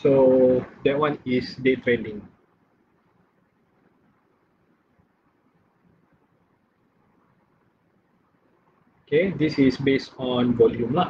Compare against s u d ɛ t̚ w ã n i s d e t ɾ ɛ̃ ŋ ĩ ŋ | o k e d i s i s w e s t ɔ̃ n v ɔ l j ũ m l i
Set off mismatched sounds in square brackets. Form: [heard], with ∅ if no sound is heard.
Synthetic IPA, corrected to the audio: s [o] d ɛ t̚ w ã n i s d e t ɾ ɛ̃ [n] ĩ ŋ | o k e d i s i s [b] e s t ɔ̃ n v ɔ l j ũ m l [a]